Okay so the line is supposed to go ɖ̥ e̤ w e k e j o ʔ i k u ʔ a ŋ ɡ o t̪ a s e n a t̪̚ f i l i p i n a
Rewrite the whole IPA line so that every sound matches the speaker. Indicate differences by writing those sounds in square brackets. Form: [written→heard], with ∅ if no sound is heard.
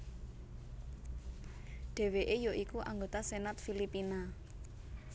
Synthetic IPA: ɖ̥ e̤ w e [k→ʔ] e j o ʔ i k u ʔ a ŋ ɡ o t̪ a s e n a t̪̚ f i l i p i n a